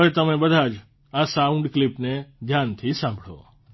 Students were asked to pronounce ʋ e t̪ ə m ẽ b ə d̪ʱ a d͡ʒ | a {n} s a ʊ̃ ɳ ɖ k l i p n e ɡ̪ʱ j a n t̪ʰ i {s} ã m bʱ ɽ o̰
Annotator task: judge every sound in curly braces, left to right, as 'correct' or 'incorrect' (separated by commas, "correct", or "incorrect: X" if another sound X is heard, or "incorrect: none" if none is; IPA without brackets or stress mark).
incorrect: none, correct